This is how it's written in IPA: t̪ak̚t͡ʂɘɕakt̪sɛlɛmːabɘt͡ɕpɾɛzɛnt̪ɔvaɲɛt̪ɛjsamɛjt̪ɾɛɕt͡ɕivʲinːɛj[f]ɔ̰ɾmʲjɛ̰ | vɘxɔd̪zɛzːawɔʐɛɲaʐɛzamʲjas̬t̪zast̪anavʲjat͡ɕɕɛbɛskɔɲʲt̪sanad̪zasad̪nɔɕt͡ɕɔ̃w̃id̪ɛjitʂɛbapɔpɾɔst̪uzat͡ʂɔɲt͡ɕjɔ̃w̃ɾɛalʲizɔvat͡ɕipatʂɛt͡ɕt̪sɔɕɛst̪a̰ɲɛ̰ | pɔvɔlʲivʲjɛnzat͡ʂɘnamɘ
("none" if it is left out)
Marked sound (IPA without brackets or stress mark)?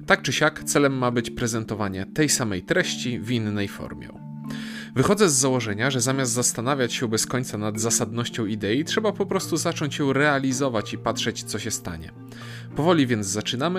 f